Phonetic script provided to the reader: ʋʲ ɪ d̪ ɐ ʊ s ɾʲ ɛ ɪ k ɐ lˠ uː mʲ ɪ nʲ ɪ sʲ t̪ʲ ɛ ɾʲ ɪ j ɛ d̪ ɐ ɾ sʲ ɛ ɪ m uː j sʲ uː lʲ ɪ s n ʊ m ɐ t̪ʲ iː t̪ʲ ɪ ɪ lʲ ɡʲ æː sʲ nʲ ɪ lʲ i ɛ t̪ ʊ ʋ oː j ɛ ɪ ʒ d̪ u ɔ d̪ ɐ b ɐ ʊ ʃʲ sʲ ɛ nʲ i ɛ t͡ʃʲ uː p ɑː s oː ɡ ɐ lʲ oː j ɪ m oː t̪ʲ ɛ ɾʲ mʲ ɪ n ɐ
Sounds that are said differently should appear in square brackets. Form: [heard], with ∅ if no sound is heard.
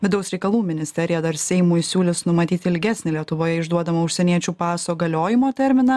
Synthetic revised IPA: ʋʲ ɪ d̪ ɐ ʊ s ɾʲ ɛ ɪ k ɐ lˠ uː mʲ ɪ nʲ ɪ sʲ t̪ʲ ɛ ɾʲ ɪ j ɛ d̪ ɐ ɾ sʲ ɛ ɪ m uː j sʲ uː lʲ ɪ s n ʊ m ɐ t̪ʲ iː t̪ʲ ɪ ɪ lʲ ɡʲ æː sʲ nʲ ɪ lʲ i ɛ t̪ ʊ ʋ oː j ɛ ɪ ʒ d̪ u ɔ d̪ ɐ [m] ɐ ʊ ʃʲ sʲ ɛ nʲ i ɛ t͡ʃʲ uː p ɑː s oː ɡ ɐ lʲ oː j ɪ m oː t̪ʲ ɛ ɾʲ mʲ ɪ n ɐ